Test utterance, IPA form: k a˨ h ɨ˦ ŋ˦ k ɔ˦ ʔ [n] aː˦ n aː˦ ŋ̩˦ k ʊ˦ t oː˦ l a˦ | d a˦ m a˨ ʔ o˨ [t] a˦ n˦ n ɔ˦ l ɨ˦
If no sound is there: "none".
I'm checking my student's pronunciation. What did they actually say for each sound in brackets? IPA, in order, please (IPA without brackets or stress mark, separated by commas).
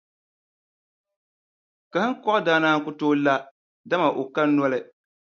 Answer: d, k